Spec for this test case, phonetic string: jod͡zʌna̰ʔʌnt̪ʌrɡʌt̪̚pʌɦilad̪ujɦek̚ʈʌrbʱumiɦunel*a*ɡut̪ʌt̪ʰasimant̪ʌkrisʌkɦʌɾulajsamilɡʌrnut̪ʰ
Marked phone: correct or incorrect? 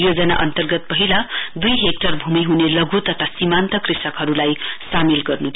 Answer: incorrect: ʌ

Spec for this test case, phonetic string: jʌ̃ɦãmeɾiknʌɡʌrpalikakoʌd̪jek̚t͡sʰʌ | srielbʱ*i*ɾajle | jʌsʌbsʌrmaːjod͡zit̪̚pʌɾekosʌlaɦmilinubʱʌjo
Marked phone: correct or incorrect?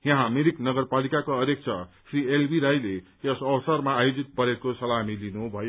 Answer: correct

